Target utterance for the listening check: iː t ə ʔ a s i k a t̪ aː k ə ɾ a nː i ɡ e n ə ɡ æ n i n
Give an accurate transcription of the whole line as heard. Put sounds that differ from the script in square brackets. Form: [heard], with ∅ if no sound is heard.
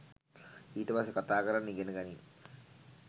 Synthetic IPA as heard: iː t ə [p] a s [e] k a t̪ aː k ə ɾ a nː i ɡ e n ə ɡ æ n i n